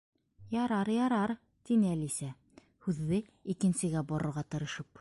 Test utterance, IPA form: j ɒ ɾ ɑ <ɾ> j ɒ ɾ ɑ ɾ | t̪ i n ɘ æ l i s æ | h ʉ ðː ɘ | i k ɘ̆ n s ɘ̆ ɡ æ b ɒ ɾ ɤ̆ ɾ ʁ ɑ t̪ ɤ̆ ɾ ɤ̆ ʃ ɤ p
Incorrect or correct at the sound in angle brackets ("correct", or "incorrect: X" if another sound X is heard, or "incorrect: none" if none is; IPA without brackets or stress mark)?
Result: correct